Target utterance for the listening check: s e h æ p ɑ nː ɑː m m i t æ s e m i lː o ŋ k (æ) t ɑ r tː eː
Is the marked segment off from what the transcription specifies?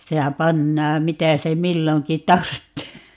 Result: yes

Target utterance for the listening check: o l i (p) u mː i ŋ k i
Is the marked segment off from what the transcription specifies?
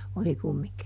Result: yes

